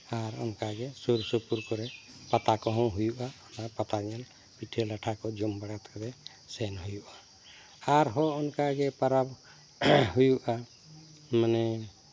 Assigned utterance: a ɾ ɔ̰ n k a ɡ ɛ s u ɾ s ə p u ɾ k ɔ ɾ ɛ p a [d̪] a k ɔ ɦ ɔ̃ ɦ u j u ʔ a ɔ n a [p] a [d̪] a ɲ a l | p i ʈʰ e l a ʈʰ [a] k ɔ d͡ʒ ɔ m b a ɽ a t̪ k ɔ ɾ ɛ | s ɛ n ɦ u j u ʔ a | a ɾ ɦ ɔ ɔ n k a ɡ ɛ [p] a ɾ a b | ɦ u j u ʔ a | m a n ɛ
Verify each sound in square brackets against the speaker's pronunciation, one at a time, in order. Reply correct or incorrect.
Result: incorrect, correct, incorrect, correct, correct

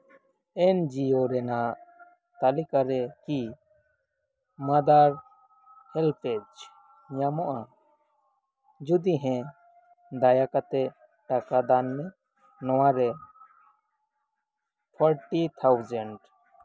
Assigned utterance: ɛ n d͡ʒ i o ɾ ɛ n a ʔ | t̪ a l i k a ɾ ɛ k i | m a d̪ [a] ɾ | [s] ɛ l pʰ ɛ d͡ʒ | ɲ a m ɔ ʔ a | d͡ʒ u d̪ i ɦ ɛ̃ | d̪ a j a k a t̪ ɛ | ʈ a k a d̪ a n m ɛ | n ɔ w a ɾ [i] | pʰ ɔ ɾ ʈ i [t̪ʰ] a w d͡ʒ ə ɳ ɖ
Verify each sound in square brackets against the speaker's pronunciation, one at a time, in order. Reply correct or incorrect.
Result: correct, incorrect, incorrect, correct

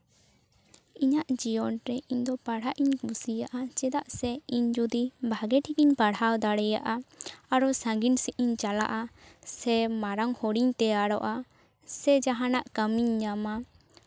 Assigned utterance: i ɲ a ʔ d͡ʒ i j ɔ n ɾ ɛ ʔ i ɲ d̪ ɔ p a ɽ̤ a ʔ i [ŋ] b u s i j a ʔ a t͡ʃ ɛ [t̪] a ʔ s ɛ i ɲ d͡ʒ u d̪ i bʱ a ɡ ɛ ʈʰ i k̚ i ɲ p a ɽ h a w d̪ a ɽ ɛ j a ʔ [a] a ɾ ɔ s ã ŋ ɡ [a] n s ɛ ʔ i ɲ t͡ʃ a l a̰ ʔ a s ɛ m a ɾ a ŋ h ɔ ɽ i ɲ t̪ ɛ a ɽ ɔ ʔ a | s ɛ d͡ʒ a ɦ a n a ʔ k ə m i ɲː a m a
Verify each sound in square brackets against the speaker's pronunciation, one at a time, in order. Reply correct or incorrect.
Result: incorrect, incorrect, correct, incorrect

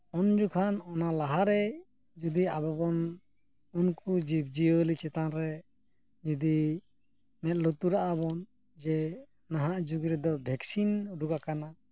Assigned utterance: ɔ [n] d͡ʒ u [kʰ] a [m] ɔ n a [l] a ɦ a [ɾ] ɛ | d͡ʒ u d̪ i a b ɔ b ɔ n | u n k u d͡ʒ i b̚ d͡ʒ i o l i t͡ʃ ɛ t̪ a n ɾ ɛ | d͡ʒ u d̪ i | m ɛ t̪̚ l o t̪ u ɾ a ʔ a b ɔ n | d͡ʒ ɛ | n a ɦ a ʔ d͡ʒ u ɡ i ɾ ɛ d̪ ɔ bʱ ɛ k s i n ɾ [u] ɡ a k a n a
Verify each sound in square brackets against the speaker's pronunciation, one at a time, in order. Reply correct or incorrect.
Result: correct, correct, incorrect, correct, correct, correct

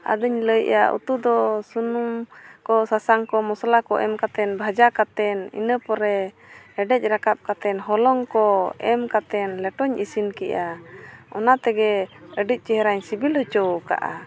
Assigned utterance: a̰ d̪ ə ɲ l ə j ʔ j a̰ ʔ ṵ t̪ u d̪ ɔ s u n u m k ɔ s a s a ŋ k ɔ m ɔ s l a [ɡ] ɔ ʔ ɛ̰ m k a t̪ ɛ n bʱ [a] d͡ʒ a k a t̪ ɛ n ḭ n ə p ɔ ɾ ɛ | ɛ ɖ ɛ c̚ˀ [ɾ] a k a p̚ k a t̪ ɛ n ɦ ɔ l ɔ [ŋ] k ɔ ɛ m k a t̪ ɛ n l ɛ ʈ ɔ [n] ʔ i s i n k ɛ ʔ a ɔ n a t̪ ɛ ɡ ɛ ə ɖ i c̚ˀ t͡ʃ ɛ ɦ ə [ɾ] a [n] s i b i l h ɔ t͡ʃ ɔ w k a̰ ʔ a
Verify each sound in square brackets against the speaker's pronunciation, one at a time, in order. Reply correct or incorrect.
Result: incorrect, correct, correct, correct, incorrect, correct, incorrect

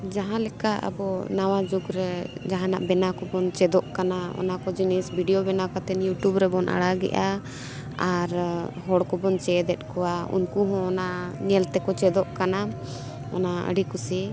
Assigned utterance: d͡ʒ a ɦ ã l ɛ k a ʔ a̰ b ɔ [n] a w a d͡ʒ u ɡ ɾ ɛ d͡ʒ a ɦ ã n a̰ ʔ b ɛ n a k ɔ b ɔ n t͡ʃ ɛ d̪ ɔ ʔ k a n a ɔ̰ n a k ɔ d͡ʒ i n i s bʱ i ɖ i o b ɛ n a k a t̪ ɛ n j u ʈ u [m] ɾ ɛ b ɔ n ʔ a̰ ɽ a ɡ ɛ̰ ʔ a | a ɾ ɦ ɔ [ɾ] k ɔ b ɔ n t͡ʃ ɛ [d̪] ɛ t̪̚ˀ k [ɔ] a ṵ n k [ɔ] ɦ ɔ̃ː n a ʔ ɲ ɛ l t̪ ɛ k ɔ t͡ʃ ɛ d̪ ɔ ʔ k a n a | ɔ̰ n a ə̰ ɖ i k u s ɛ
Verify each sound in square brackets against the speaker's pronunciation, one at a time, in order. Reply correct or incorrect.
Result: correct, incorrect, incorrect, correct, correct, incorrect

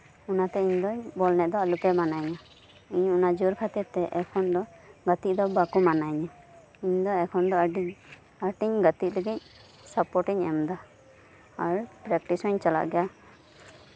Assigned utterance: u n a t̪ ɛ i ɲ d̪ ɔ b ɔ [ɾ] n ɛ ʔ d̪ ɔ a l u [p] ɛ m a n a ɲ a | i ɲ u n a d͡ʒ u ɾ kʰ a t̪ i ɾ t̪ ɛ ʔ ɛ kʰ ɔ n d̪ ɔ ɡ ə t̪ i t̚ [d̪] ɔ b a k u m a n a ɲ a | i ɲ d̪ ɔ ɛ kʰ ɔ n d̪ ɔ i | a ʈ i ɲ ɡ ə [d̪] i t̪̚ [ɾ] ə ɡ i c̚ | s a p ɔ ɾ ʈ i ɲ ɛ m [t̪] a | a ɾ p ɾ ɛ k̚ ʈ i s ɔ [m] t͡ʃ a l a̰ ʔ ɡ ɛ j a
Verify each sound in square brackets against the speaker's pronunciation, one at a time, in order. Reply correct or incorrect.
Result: incorrect, correct, correct, incorrect, incorrect, incorrect, incorrect

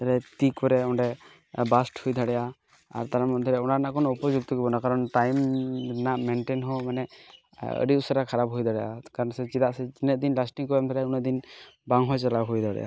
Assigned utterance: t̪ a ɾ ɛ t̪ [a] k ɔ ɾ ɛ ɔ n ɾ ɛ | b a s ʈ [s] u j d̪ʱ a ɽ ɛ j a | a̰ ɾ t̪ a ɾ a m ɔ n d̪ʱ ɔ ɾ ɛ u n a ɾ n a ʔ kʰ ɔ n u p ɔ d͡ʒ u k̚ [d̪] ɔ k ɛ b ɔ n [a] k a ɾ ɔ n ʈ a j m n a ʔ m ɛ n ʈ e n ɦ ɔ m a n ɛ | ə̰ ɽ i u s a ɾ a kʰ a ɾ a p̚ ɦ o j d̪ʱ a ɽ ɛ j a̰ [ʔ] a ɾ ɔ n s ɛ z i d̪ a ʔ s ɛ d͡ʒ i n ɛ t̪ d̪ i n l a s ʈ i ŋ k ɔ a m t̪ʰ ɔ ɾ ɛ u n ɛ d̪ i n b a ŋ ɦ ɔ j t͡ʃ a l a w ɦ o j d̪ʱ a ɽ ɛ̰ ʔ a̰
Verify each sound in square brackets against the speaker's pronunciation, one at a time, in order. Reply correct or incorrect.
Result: incorrect, incorrect, incorrect, correct, incorrect

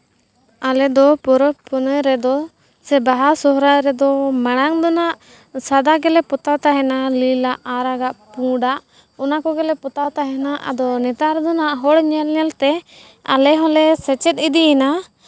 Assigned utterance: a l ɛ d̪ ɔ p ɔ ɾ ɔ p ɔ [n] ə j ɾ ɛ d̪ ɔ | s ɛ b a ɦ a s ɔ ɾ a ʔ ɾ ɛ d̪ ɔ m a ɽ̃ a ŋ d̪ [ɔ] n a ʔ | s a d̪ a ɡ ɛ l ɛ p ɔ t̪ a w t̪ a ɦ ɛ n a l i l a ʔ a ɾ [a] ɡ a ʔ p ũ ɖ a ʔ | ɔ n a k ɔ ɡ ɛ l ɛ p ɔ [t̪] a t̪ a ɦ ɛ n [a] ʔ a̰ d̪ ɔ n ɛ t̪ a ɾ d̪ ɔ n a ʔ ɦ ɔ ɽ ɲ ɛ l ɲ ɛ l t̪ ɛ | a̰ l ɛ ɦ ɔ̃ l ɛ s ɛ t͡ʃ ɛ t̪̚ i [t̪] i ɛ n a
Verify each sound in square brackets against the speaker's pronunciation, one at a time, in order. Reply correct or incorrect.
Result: correct, correct, correct, correct, correct, incorrect

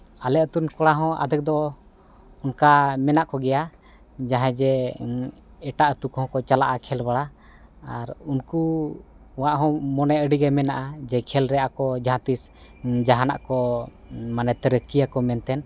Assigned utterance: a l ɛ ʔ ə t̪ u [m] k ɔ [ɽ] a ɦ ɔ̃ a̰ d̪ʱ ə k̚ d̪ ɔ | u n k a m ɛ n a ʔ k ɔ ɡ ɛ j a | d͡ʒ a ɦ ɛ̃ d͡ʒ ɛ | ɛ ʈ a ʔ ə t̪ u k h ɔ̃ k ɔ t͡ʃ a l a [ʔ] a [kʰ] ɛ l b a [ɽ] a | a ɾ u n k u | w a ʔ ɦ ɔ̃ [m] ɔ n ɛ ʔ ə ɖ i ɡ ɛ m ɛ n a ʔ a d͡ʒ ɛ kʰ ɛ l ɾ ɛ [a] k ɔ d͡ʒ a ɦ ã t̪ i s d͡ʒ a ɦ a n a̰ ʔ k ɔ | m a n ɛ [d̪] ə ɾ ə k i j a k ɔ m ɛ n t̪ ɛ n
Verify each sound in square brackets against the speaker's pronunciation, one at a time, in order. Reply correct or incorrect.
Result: incorrect, correct, correct, correct, correct, correct, correct, incorrect

